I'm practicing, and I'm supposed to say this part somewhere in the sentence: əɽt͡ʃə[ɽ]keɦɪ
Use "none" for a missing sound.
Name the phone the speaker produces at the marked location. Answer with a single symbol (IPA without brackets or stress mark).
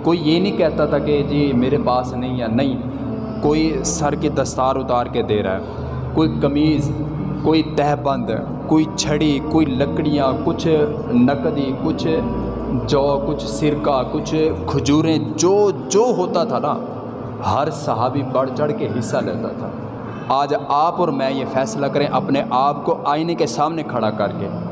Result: ɽ